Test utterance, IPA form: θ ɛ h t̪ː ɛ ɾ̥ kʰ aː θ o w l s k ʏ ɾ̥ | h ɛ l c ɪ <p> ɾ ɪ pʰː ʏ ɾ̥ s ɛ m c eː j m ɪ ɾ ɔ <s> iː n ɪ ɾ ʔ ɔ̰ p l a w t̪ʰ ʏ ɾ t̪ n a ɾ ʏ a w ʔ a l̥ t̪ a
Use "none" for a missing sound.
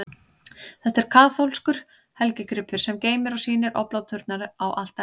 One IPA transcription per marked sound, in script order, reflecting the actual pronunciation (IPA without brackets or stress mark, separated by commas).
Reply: k, s